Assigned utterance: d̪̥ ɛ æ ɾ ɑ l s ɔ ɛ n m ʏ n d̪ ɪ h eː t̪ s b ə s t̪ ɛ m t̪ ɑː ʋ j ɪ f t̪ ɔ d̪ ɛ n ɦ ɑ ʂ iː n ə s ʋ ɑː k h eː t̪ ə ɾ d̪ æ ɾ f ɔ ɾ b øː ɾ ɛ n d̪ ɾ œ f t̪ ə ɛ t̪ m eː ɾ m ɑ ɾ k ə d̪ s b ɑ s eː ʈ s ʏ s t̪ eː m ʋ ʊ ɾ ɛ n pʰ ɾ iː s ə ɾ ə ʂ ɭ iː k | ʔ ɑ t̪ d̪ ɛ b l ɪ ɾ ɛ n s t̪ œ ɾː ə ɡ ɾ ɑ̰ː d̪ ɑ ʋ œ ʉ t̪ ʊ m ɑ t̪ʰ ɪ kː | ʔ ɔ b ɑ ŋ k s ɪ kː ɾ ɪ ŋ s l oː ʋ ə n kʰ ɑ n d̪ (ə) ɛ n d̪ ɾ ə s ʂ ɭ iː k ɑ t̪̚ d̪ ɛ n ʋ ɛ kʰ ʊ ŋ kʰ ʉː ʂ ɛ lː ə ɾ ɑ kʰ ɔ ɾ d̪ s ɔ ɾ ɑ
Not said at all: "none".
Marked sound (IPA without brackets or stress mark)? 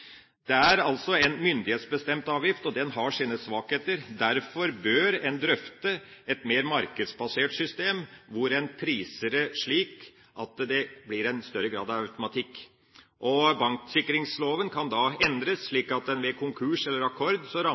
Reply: ɑ